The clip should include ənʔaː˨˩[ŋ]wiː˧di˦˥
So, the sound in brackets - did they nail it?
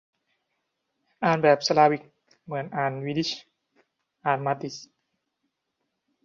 no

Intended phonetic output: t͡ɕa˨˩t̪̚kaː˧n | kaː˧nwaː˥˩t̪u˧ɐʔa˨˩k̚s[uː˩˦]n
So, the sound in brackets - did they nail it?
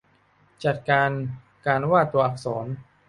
no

